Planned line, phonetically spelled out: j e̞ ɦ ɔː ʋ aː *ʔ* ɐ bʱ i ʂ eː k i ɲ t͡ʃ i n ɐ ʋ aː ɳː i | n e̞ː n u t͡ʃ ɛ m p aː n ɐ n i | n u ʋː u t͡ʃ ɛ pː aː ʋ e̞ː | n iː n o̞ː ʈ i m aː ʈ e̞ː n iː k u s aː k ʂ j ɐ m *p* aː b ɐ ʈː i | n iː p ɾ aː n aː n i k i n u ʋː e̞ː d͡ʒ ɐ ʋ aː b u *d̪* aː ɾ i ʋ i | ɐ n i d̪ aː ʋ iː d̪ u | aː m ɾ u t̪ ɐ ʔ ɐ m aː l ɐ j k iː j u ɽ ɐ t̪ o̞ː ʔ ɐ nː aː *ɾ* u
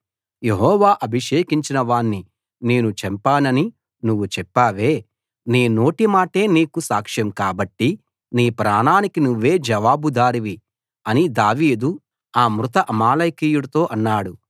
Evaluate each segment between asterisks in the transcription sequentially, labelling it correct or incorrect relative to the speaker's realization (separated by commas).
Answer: correct, incorrect, correct, incorrect